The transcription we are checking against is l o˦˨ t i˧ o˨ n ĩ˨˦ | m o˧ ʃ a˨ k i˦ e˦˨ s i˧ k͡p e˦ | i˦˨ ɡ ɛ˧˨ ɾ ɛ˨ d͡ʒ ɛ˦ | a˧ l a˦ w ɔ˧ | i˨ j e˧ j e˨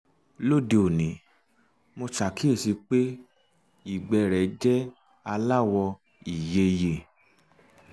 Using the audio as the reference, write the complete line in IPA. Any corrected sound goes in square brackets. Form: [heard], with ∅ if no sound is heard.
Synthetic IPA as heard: l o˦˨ [d] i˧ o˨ n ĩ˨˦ | m o˧ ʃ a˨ k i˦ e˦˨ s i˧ k͡p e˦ | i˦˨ [ɡ͡b] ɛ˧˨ ɾ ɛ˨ d͡ʒ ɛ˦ | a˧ l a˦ w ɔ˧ | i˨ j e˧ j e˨